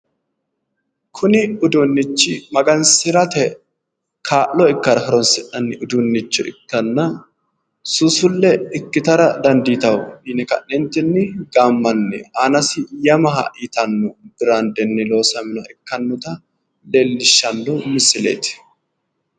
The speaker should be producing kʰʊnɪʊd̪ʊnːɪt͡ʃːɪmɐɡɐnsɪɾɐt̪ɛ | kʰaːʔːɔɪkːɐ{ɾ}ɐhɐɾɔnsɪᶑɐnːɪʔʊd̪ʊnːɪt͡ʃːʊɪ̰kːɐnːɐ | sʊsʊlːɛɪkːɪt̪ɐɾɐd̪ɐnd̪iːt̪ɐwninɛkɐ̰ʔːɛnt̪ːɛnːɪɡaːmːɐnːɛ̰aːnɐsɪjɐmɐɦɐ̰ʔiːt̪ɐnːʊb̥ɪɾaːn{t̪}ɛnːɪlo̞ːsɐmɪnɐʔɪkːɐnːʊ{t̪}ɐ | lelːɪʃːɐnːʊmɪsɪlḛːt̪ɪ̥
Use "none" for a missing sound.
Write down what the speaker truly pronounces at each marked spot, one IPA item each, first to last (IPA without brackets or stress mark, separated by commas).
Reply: ɾ, d̪, t̪